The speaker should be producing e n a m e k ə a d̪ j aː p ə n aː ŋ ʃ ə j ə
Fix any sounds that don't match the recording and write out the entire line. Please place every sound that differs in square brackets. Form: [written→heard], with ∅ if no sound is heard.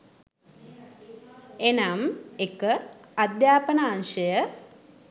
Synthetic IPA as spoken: e n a m e k ə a d̪ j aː p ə n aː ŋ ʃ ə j ə